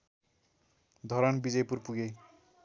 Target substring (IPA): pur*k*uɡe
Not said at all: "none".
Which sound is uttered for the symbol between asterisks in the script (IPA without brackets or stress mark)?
p